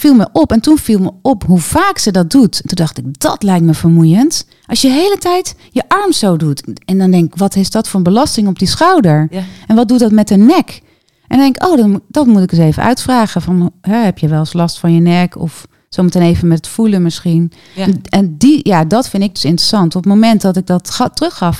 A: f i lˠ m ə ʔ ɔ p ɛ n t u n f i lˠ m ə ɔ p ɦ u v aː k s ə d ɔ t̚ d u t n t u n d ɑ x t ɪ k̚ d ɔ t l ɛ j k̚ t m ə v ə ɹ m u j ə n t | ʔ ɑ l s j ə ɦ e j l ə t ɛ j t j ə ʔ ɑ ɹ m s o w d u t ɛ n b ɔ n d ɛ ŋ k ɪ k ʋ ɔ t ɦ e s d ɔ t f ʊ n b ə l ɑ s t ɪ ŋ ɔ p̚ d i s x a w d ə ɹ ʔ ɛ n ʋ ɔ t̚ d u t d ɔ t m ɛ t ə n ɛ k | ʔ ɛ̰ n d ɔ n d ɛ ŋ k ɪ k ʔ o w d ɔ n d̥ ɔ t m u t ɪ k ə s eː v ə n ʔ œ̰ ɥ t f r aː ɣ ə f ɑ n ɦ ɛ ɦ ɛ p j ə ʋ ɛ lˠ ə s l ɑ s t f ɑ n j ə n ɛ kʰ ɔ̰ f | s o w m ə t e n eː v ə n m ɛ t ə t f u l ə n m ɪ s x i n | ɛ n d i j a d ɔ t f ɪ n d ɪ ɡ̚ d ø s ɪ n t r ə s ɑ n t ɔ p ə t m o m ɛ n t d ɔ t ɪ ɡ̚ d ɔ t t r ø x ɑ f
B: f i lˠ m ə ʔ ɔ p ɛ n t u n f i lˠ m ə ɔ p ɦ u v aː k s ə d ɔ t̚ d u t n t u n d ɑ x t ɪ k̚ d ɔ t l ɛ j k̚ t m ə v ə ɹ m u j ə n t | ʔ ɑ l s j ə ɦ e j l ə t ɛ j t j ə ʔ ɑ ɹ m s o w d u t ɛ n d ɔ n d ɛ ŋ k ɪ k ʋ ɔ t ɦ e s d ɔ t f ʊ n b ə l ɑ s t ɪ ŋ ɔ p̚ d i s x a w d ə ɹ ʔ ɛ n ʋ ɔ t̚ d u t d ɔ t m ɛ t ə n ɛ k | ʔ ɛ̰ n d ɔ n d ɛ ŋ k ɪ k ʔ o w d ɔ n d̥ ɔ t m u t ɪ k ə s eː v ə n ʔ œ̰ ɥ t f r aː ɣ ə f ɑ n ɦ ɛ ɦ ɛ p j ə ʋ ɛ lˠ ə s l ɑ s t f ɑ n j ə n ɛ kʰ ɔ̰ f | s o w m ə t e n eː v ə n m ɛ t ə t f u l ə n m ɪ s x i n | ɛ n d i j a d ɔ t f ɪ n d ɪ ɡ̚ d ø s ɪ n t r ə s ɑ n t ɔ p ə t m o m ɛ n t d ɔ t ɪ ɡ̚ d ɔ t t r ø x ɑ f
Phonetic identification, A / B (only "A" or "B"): B